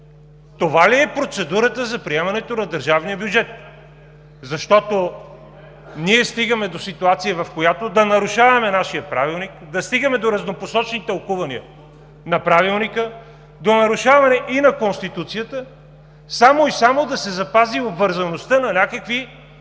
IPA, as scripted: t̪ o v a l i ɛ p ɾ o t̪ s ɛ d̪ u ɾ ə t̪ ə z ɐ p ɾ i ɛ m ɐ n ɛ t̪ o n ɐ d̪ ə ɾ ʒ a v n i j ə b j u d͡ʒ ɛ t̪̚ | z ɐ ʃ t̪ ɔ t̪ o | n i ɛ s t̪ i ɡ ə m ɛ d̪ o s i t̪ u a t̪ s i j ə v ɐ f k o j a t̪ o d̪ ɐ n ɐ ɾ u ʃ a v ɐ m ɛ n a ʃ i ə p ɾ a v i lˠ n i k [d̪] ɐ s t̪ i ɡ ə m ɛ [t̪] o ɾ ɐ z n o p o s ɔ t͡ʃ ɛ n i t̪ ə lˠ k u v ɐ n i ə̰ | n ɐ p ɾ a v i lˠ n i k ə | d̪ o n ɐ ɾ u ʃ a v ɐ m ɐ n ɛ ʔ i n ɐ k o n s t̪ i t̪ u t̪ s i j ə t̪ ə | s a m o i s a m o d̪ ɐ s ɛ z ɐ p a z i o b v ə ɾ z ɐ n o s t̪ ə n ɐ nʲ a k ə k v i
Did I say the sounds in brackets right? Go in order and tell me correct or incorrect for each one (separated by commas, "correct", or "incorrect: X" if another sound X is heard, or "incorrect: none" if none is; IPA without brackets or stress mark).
correct, incorrect: d̪